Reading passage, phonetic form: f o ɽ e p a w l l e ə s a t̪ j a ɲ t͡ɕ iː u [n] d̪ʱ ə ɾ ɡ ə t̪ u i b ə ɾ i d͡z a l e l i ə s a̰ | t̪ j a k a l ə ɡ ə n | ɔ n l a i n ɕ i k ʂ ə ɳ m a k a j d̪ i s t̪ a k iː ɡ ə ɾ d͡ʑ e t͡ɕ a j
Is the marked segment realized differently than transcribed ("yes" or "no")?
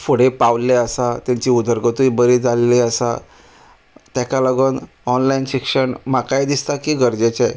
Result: yes